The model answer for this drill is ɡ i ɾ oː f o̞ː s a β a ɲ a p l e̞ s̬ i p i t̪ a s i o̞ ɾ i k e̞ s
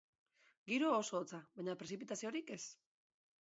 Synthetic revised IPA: ɡ i ɾ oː s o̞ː t͡s a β a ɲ a p ɾ e̞ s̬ i p i t̪ a s i o̞ ɾ i k e̞ s